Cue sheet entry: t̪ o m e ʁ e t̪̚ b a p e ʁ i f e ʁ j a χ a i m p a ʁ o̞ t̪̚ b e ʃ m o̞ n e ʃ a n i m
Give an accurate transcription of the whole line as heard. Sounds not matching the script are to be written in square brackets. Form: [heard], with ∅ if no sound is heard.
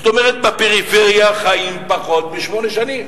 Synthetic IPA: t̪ o m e ʁ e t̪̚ b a p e ʁ i f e ʁ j a χ a i m p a [χ] o̞ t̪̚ b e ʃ m o̞ n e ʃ a n i m

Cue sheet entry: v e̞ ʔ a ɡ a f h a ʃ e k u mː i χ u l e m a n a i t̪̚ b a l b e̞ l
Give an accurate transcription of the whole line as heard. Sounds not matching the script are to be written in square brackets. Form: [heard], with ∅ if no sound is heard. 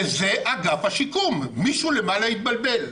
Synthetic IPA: [z] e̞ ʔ a ɡ a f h a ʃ [i] k u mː i [ʃ] u l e m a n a i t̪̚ b a l b e̞ l

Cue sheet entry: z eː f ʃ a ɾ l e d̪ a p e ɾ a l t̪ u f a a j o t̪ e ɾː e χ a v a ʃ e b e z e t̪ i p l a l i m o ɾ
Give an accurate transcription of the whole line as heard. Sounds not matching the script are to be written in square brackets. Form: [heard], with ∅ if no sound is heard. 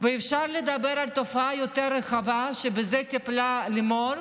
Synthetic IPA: [v] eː f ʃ a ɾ l e d̪ a [b] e ɾ a l t̪ [o] f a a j o t̪ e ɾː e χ a v a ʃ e b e z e t̪ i p l a l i m o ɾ

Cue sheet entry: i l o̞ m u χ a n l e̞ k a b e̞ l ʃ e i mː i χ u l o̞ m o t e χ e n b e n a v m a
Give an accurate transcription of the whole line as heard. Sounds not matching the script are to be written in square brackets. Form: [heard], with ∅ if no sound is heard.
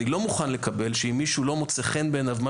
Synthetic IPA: i l o̞ m u χ a n l e̞ k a b e̞ l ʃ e i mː i [ʃ] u l o̞ m o [t͡s] e χ e n b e n a v m a

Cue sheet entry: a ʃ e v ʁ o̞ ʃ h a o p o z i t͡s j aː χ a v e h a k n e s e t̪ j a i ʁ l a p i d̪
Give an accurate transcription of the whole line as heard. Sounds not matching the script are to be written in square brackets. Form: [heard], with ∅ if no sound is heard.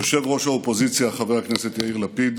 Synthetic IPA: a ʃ e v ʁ o̞ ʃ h a o p o z i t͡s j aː χ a v e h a k n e s e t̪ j a i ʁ l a p i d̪

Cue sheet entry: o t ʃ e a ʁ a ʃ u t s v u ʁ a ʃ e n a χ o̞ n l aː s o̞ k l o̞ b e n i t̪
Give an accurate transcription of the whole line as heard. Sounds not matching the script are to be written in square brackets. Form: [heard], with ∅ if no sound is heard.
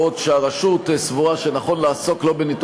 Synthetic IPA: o t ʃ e a ʁ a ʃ u t s v u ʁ a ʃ e n a χ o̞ n l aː s o̞ k l o̞ b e n i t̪

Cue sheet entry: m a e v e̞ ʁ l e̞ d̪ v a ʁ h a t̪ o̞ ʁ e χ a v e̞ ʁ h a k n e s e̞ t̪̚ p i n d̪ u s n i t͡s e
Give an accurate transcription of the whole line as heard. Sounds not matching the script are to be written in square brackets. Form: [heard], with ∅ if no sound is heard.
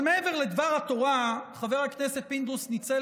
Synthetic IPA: m [e] e v e̞ ʁ l e̞ d̪ v a ʁ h a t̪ o̞ ʁ [a] χ a v e̞ ʁ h a k n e s e̞ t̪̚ p i n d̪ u s n i t͡s e

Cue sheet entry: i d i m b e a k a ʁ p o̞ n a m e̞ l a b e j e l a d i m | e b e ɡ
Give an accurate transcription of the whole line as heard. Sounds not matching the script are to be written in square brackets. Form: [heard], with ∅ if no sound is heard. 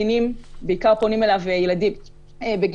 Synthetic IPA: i [n] i m b e [i] k a ʁ p o̞ n [i] m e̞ l a [v] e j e l a d i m | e b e ɡ

